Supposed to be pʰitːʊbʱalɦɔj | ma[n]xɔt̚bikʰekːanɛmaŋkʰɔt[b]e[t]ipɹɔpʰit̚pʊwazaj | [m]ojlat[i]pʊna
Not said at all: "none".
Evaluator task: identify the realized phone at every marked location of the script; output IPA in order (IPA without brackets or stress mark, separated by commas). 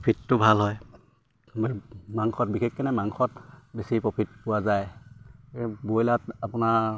ŋ, b, s, b, a